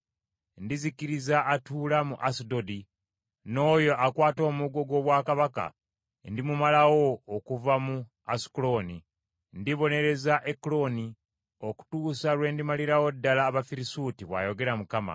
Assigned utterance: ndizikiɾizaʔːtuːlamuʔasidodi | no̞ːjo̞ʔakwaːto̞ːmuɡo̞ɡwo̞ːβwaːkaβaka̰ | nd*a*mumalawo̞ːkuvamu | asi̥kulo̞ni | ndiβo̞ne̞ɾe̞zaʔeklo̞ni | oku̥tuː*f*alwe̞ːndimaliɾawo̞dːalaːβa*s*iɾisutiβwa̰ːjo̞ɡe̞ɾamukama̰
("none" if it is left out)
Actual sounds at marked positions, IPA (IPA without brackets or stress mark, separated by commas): i, s, f